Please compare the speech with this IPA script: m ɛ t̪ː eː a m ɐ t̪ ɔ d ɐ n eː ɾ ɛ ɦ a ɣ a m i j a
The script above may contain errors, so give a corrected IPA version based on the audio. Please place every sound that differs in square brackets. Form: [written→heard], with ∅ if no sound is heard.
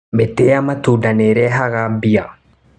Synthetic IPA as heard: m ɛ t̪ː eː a m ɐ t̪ [ɔ→u] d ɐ n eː ɾ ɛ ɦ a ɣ a [m→b] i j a